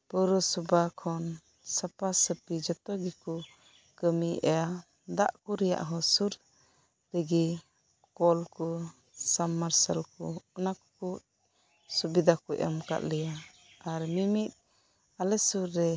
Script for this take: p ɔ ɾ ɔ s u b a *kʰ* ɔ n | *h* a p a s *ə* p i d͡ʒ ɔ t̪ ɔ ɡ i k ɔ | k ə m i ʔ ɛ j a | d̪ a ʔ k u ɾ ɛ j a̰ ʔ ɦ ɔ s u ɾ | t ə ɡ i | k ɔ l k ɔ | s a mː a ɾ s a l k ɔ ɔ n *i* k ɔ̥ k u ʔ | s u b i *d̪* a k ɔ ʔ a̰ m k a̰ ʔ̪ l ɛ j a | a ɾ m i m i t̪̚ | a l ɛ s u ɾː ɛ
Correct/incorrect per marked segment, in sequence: correct, incorrect: s, correct, incorrect: a, correct

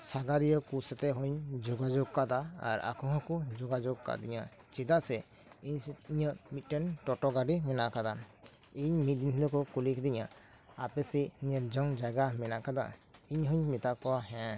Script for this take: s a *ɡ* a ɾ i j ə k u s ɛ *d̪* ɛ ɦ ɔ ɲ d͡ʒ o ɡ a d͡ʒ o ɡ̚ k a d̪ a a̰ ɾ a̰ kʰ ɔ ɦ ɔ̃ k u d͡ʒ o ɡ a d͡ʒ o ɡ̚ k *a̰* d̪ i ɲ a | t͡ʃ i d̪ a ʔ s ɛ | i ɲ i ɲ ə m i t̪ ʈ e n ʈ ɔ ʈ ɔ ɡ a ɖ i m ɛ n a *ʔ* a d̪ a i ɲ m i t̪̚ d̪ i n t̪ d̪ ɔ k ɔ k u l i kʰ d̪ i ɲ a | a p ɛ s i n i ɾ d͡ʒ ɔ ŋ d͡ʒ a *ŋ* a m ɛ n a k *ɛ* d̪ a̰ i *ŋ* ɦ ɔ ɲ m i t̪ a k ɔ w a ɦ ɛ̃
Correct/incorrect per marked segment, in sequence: correct, incorrect: t̪, correct, incorrect: k, incorrect: ɡ, incorrect: a, incorrect: ɲ

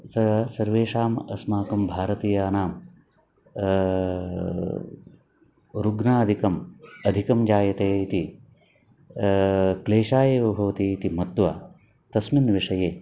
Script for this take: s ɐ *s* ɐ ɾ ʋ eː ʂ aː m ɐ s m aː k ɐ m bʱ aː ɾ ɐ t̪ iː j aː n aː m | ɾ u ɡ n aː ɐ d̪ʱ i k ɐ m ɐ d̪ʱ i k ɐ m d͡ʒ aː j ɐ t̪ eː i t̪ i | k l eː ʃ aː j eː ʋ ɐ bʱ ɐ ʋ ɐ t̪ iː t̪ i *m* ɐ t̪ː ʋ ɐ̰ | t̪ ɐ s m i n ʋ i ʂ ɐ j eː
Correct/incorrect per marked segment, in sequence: correct, correct

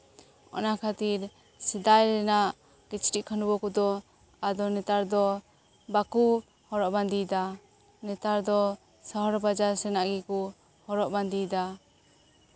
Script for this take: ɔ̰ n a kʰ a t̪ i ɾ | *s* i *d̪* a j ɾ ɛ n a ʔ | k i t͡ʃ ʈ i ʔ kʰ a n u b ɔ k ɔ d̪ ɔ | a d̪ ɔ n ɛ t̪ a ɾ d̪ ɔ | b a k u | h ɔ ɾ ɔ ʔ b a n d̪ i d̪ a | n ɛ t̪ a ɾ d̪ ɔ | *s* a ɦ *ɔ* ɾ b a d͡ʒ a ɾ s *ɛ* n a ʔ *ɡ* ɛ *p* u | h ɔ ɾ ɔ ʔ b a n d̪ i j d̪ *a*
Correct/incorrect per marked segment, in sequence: correct, correct, correct, correct, correct, correct, incorrect: k, correct

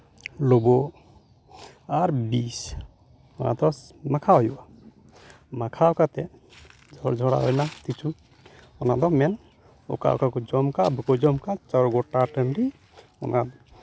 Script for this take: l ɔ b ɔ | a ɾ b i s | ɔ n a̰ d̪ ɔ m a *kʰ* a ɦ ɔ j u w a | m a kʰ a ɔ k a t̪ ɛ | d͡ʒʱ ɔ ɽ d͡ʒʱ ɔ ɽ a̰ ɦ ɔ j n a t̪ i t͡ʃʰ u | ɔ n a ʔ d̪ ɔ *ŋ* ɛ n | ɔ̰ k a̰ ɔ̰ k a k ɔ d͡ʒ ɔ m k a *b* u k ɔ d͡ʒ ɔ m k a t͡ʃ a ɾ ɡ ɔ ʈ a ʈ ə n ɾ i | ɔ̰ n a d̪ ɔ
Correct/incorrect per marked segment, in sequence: correct, incorrect: m, correct

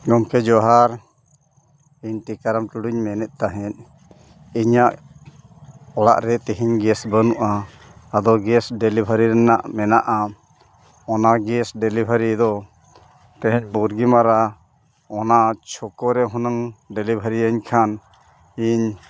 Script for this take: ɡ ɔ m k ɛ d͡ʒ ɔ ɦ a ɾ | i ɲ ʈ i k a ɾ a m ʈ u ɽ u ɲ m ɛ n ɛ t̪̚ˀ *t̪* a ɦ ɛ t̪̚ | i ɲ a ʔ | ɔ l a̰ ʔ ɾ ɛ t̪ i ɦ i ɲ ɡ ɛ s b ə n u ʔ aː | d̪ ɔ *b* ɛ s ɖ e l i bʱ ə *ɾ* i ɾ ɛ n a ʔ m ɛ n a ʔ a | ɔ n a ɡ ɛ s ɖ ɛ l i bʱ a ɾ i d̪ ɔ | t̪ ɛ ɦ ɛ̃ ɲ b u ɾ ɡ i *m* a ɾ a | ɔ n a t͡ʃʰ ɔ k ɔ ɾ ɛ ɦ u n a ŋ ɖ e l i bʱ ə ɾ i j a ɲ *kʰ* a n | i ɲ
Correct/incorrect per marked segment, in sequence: correct, incorrect: ɡ, correct, correct, correct

